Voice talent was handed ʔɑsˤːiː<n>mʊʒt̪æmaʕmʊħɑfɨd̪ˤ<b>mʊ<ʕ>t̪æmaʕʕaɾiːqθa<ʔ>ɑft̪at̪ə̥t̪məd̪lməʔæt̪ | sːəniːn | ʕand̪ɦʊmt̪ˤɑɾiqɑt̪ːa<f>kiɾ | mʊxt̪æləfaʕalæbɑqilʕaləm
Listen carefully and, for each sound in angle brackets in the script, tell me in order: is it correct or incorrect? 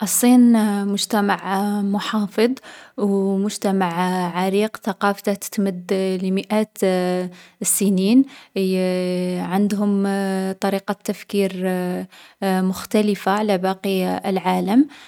correct, incorrect, incorrect, incorrect, correct

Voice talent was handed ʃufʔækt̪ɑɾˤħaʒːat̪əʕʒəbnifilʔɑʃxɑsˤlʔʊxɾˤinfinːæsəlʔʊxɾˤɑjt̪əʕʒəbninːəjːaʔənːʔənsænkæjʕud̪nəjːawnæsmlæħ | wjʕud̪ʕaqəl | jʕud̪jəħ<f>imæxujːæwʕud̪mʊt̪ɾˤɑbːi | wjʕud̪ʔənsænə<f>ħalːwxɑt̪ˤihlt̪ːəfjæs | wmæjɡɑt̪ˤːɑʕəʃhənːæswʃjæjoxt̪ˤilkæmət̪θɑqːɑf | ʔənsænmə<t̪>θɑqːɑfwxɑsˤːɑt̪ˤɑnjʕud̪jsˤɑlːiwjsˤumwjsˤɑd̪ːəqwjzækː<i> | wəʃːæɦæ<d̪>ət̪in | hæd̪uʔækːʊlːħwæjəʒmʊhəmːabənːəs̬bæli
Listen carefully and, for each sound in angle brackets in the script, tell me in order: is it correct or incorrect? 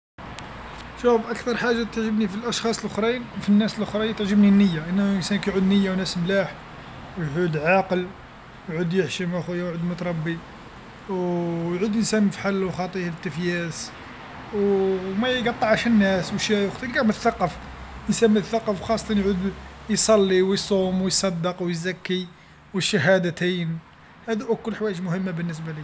incorrect, correct, correct, correct, correct

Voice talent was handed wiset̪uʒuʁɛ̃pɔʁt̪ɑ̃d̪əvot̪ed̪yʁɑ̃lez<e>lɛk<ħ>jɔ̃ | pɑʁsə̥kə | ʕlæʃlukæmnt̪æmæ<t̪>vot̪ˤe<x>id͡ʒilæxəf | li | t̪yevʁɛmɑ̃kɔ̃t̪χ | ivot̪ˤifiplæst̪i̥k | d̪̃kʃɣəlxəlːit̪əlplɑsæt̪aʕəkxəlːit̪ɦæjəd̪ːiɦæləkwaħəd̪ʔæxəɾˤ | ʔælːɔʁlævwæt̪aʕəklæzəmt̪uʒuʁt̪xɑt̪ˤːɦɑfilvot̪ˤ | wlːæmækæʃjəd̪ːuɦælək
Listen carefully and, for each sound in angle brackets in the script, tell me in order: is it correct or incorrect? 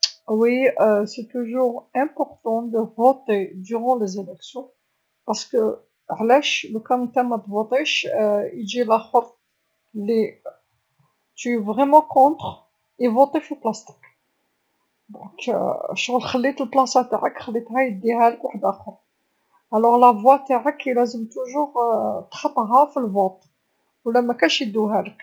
correct, incorrect, correct, incorrect

